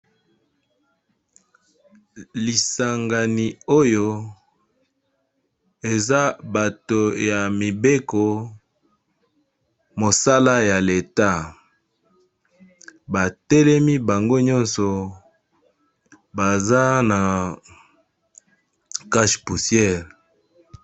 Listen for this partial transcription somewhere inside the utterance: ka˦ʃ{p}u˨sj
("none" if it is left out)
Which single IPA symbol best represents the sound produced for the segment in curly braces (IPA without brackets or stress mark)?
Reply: p